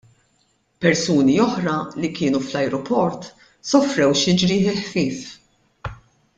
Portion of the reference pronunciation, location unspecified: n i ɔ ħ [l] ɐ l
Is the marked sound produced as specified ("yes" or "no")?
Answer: no